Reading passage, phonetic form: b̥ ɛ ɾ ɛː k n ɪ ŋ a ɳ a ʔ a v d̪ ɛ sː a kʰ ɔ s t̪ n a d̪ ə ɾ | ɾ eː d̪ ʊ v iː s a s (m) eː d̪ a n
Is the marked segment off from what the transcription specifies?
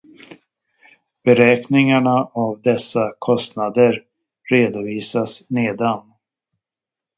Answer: yes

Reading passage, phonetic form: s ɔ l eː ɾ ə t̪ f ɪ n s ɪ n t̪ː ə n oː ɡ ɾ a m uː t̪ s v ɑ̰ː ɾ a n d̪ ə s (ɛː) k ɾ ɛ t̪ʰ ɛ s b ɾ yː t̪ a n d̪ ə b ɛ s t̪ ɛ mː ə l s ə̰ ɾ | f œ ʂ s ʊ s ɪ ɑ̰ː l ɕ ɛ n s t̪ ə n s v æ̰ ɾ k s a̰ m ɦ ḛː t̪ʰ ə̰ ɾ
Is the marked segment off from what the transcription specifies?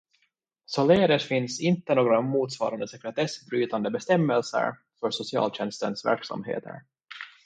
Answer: yes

